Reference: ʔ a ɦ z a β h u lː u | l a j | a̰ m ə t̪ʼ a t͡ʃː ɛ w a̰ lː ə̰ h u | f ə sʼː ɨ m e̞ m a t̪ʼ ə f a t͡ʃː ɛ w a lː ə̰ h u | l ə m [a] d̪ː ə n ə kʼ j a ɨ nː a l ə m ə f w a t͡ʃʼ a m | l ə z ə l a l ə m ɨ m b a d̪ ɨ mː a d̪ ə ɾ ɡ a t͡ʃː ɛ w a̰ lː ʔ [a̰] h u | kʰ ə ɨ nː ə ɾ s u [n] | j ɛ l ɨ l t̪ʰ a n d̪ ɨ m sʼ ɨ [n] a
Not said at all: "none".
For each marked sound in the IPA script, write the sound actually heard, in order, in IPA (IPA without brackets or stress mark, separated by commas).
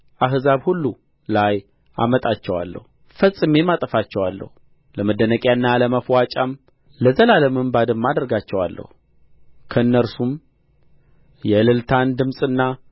ə, ə̰, m, nː